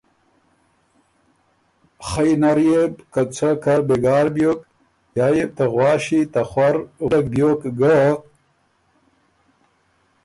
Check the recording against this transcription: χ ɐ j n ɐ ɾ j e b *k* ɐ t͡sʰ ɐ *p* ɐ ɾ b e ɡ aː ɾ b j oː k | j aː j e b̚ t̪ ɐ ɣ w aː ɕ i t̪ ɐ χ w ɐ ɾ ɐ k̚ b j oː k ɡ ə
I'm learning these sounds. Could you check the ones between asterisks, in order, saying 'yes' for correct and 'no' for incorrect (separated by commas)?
yes, no